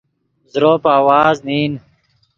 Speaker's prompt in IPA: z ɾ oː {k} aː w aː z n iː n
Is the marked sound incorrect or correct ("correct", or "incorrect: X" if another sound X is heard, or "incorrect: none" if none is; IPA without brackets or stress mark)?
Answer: incorrect: p